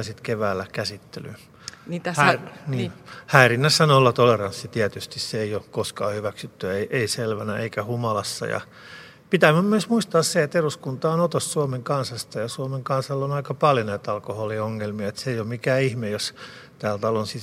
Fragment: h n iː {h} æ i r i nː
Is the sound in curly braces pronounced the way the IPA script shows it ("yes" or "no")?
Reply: yes